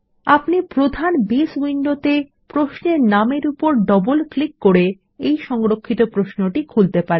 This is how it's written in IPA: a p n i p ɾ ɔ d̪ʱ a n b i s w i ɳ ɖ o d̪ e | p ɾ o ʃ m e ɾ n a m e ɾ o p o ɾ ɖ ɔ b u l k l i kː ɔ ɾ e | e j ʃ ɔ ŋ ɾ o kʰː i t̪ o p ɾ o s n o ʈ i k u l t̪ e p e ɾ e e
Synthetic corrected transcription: a p n i p ɾ o d̪ʱ a n b i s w i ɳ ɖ o t̪ e | p ɾ o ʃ n e ɾ n a m e ɾ u p o ɾ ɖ ɔ b o l k l i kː o ɾ e | e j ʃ ɔ ŋ ɾ o kʰː i t̪ o p ɾ o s n o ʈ i kʰ u l t̪ e p a ɾ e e